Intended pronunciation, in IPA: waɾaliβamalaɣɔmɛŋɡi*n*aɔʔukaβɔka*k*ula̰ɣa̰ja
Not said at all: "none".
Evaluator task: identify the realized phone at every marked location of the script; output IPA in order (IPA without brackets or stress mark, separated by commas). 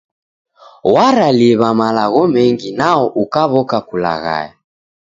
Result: n, k